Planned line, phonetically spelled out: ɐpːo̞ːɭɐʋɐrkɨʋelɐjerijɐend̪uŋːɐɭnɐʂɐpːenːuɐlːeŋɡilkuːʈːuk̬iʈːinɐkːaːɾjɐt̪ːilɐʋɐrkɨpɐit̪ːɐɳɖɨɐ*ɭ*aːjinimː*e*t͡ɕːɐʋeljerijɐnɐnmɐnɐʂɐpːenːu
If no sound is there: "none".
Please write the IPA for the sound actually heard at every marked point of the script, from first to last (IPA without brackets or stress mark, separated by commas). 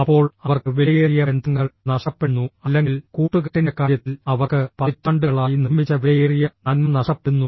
ɭ, i